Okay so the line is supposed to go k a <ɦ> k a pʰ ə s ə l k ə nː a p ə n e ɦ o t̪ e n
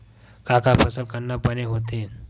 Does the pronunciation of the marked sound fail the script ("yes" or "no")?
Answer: yes